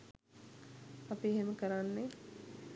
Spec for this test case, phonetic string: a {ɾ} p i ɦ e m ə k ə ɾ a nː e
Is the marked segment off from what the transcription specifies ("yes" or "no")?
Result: yes